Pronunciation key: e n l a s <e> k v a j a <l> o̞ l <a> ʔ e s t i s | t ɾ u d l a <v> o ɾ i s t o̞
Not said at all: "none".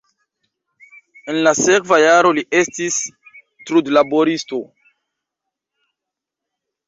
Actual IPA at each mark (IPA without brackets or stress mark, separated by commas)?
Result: e, ɾ, i, b